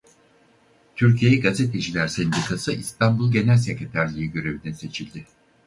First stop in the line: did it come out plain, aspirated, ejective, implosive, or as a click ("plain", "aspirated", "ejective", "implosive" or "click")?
aspirated